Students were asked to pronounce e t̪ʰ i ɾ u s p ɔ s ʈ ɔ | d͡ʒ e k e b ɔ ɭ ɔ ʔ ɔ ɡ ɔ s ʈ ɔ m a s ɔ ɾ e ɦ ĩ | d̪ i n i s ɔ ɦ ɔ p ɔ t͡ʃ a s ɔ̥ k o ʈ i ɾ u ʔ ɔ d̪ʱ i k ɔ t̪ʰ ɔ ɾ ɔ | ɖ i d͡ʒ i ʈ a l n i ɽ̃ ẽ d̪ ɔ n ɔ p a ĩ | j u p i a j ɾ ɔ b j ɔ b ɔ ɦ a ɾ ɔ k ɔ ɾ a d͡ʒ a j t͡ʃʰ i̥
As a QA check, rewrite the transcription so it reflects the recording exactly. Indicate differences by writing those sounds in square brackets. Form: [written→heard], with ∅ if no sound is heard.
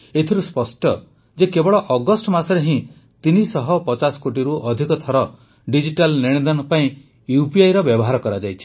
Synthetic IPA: e t̪ʰ i ɾ u s p ɔ s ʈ ɔ | d͡ʒ e k e b ɔ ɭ ɔ ʔ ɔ ɡ ɔ s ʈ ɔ m a s ɔ ɾ e ɦ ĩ | [d̪→t̪] i n i s ɔ ɦ ɔ p ɔ t͡ʃ a s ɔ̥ k o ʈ i ɾ u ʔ ɔ d̪ʱ i k ɔ t̪ʰ ɔ ɾ ɔ | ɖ i d͡ʒ i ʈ a l n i ɽ̃ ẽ d̪ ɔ n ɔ p a ĩ | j u p i a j ɾ ɔ b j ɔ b ɔ ɦ a ɾ ɔ k ɔ ɾ a d͡ʒ a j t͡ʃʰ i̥